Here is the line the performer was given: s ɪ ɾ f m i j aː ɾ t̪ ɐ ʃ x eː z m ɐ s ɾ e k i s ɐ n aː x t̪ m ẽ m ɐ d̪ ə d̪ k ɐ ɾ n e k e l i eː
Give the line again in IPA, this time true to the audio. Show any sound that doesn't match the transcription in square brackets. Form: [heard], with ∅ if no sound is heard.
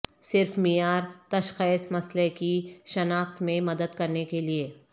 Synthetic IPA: s ɪ ɾ f m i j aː ɾ t̪ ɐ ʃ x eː [s] m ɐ s [l] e k i [ʃ] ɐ n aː x t̪ m ẽ m ɐ d̪ ə d̪ k ɐ ɾ n e k e l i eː

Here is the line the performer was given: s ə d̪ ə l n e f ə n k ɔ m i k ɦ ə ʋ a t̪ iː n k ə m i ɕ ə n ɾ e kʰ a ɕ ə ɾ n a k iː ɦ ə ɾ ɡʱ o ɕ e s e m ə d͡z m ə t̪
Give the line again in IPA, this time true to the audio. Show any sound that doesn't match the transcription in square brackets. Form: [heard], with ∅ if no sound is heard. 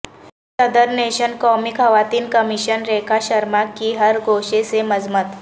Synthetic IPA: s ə d̪ ə [ɾ] n e [ɕ] ə n k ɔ m i k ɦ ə ʋ a t̪ iː n k ə m i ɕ ə n ɾ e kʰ a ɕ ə ɾ [m] a k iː ɦ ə ɾ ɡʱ o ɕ e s e m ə d͡z m ə t̪

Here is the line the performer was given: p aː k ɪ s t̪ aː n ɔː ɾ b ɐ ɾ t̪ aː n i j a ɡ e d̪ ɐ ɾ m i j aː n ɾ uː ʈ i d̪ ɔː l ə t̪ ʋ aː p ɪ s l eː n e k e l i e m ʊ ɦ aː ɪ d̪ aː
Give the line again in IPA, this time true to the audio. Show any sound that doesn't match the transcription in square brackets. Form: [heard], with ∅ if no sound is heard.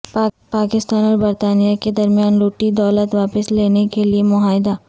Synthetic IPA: p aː k ɪ s t̪ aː n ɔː ɾ b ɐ ɾ t̪ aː n i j a [k] e d̪ ɐ ɾ m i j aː n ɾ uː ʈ i d̪ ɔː l ə t̪ ʋ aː p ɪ s l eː n e k e l i e m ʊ ɦ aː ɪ d̪ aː

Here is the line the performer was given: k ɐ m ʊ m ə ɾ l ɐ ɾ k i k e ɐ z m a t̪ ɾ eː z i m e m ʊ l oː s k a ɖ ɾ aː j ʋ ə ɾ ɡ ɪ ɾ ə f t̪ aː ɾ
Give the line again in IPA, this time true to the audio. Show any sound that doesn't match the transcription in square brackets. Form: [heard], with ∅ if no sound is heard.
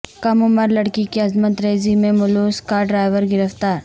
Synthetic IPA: k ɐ m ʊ m ə ɾ l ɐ [ɽ] k i k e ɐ z m [ə] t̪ ɾ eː z i m [ẽ] m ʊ l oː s k a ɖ ɾ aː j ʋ ə ɾ ɡ ɪ ɾ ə f t̪ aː ɾ

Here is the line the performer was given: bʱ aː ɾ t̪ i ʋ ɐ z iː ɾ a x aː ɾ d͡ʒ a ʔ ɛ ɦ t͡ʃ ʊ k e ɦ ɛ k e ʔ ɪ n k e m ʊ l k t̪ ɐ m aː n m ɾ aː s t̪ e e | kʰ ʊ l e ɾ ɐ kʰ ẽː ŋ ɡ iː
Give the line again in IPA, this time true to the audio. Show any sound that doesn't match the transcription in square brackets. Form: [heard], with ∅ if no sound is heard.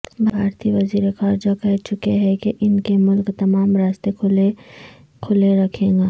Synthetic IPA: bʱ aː ɾ t̪ i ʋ ɐ z iː ɾ [e] x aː ɾ d͡ʒ a [k] ɛ ɦ t͡ʃ ʊ k e ɦ ɛ k e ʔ ɪ n k e m ʊ l k t̪ ɐ m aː [∅] m ɾ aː s t̪ e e | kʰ ʊ l e ɾ ɐ kʰ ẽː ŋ ɡ [aː]

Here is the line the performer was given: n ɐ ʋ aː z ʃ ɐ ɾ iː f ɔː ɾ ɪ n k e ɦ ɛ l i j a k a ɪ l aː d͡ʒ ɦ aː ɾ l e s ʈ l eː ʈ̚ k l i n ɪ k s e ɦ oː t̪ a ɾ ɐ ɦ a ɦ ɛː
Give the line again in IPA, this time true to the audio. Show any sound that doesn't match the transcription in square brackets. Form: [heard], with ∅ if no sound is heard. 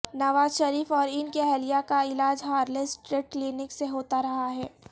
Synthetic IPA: n ɐ ʋ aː z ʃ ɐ ɾ iː f ɔː ɾ ɪ n k e ɦ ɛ l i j a k a ɪ l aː d͡ʒ ɦ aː ɾ l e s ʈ [ɾ] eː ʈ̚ k l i n ɪ k s e ɦ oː t̪ a ɾ ɐ ɦ a ɦ ɛː

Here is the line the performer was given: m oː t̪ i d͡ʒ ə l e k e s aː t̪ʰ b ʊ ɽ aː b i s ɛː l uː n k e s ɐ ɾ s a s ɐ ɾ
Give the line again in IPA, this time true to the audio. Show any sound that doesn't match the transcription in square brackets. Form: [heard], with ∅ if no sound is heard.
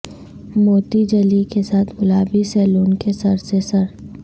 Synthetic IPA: m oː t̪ i d͡ʒ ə l [i] k e s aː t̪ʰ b ʊ [l] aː b i s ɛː l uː n k e s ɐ ɾ s [e] s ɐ ɾ

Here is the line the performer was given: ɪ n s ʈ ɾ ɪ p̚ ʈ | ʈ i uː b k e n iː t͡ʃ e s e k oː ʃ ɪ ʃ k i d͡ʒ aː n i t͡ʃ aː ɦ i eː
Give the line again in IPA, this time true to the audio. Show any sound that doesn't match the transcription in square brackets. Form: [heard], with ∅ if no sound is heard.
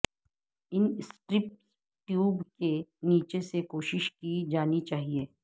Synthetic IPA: ɪ n s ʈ ɾ ɪ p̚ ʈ | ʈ [j] uː b k e n iː t͡ʃ e s e k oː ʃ ɪ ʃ k i d͡ʒ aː n i t͡ʃ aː ɦ i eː

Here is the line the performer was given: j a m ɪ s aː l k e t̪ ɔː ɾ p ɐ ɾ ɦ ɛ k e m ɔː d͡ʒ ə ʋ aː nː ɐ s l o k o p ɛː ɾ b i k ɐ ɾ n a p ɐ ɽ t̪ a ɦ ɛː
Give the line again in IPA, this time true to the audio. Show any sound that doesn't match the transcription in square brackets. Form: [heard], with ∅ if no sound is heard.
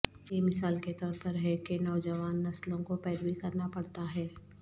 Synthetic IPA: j [e] m ɪ s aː l k e t̪ ɔː ɾ p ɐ ɾ ɦ ɛ k e [n] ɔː d͡ʒ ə ʋ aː nː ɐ s l [õ] k o p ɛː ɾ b i k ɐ ɾ n a p ɐ ɽ t̪ a ɦ ɛː

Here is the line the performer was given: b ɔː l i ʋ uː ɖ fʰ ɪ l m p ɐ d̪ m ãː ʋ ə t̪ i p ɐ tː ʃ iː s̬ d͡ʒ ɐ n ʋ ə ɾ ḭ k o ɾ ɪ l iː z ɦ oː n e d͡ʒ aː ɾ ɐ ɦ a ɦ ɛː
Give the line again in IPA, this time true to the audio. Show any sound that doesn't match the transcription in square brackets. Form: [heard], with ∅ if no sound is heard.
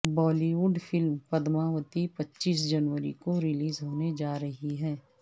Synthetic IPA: b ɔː l i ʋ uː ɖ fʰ ɪ l m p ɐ d̪ m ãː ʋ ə t̪ i p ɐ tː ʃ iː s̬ d͡ʒ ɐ n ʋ ə ɾ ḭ k o ɾ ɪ l iː z ɦ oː n e d͡ʒ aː ɾ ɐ ɦ [i] ɦ ɛː

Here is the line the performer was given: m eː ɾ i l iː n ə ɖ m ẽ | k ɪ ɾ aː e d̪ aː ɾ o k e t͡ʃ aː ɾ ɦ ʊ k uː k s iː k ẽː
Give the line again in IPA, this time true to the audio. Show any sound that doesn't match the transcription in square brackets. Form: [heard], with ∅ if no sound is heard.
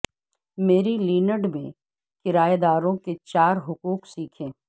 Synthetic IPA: m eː ɾ i l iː n ə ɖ m ẽ | k ɪ ɾ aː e d̪ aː ɾ [õ] k e t͡ʃ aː ɾ ɦ ʊ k uː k s iː [kʰ] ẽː

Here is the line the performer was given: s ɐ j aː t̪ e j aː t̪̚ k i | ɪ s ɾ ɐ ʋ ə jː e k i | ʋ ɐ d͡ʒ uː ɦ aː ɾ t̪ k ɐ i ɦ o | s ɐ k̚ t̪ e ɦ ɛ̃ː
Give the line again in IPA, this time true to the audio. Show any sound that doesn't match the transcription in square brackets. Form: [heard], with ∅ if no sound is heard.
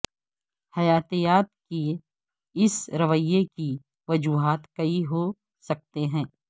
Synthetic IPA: [h] ɐ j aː t̪ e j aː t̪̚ k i | ɪ s ɾ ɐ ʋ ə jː e k i | ʋ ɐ d͡ʒ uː ɦ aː [∅] t̪ k ɐ i ɦ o | s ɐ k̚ t̪ e ɦ ɛ̃ː

